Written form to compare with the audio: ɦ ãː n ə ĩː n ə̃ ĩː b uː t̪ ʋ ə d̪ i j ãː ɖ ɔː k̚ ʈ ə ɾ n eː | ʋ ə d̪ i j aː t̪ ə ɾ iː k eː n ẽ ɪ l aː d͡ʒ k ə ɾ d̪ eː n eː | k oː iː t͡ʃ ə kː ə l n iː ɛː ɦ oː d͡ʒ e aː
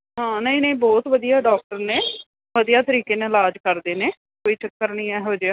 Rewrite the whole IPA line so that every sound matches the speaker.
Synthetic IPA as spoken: ɦ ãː n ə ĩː n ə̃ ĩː b ɔː t̪ ʋ ə d̪ i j aː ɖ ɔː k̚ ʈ ə ɾ n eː | ʋ ə d̪ i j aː t̪ ə ɾ iː k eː n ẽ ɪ l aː d͡ʒ k ə ɾ d̪ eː n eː | k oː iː t͡ʃ ə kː ə ɾ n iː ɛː ɦ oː d͡ʒ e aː